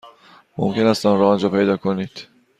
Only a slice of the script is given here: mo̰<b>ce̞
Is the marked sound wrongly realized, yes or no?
yes